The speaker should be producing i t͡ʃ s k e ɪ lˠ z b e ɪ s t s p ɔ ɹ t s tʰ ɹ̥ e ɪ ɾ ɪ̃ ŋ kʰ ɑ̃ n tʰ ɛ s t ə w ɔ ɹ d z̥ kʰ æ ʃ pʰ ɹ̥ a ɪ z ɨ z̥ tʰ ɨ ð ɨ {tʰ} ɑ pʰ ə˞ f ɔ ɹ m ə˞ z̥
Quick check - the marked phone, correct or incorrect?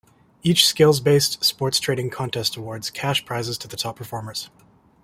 correct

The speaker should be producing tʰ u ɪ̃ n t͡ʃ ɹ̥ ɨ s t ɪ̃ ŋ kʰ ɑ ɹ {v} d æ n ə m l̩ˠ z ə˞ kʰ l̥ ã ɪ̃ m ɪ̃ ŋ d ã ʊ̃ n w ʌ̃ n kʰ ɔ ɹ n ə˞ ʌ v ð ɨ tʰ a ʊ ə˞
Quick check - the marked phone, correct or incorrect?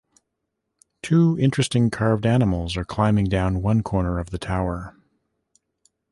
correct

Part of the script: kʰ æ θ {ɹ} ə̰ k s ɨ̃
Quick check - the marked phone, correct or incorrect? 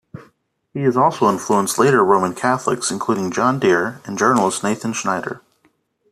incorrect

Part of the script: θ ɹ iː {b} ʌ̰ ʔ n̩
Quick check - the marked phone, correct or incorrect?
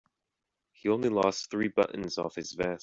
correct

